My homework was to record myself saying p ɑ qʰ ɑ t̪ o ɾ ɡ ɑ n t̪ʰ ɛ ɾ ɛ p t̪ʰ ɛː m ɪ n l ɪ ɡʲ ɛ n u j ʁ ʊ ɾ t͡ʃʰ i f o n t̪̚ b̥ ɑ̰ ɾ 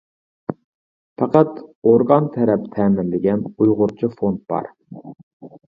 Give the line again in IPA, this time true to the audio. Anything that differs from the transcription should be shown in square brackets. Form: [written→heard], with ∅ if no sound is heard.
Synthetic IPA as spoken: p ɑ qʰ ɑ t̪ o ɾ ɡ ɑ n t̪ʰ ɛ ɾ ɛ p t̪ʰ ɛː m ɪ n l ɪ ɡʲ ɛ n u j ʁ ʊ ɾ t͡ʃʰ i f o n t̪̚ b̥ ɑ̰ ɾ